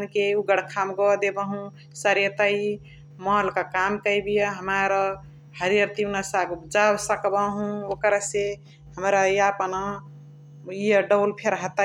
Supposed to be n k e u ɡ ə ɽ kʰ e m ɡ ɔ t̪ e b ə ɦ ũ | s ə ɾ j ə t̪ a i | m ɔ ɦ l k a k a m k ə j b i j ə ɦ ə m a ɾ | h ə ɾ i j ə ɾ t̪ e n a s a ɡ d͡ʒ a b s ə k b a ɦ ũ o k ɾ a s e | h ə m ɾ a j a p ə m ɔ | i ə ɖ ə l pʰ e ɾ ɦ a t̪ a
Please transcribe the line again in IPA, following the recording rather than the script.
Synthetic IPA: n k e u ɡ ə ɽ kʰ a m ɡ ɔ d̪ e b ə ɦ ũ | s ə ɾ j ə t̪ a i | m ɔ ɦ l k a k a m k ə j b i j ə ɦ ə m a ɾ | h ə ɾ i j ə ɾ t̪ i n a s a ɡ d͡ʒ a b s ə k b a ɦ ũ o k ɾ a s e | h ə m ɾ a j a p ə n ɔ | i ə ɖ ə l pʰ e ɾ ɦ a t̪ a